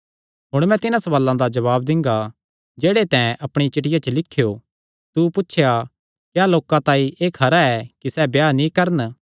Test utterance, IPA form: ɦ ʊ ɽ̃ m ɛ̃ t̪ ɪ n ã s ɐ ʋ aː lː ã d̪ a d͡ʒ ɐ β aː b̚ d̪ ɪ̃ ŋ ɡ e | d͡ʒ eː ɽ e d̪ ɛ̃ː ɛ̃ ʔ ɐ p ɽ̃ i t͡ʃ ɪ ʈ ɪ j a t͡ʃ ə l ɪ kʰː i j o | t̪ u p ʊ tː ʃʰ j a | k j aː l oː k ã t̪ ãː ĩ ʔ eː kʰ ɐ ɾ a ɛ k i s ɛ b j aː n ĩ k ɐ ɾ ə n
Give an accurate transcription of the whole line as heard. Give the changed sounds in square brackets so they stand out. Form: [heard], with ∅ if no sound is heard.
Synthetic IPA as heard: ɦ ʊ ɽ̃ m ɛ̃ t̪ ɪ n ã s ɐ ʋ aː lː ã d̪ a d͡ʒ ɐ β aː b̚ d̪ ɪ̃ ŋ ɡ [a] | d͡ʒ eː ɽ e [t̪] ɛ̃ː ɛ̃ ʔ ɐ p ɽ̃ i t͡ʃ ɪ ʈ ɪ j a t͡ʃ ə l ɪ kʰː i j o | t̪ u p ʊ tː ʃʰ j a | k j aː l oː k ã t̪ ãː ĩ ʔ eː kʰ ɐ ɾ a ɛ k i s ɛ b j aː n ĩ k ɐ ɾ ə n